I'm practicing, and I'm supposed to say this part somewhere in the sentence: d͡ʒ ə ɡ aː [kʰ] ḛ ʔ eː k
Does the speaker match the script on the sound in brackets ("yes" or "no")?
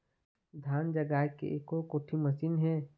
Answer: no